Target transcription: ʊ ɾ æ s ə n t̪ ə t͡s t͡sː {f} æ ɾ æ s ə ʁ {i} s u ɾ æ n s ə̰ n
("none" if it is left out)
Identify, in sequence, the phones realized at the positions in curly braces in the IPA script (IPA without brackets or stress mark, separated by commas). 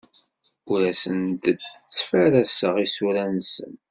f, i